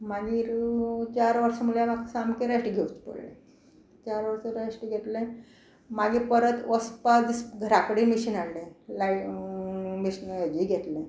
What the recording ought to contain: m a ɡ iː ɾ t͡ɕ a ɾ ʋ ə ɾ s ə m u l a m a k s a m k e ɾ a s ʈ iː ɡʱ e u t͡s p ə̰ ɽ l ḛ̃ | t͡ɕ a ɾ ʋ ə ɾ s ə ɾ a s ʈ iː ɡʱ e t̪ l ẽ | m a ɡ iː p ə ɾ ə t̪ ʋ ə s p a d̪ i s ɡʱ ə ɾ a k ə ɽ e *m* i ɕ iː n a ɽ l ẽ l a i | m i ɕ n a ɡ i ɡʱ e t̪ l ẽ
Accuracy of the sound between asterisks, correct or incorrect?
correct